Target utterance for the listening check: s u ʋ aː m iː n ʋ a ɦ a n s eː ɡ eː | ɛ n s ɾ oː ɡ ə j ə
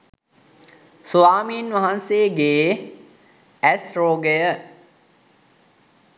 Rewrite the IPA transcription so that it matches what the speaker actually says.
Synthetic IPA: s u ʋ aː m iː n ʋ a ɦ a n s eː ɡ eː | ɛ s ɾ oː ɡ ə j ə